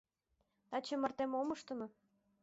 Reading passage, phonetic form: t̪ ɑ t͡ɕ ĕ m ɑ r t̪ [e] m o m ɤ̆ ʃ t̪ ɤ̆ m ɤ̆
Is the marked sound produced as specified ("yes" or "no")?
yes